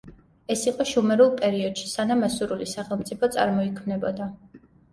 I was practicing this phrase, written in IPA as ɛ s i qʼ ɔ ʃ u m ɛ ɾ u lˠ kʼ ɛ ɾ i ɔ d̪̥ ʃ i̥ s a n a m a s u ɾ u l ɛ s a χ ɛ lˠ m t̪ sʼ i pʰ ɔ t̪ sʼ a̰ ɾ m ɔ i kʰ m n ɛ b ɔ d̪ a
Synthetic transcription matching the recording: ɛ s i qʼ ɔ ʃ u m ɛ ɾ u lˠ pʼ ɛ ɾ i ɔ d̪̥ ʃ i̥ s a n a m a s u ɾ u l i s a χ ɛ lˠ m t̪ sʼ i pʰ ɔ t̪ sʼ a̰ ɾ m ɔ i kʰ m n ɛ b ɔ d̪ a